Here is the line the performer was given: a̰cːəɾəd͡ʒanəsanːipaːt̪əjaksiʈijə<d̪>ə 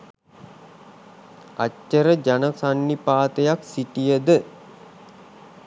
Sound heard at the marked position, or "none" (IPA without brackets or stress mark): d̪